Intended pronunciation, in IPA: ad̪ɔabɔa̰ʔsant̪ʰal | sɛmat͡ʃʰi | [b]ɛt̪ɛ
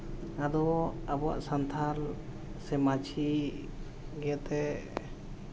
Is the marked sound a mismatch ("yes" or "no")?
yes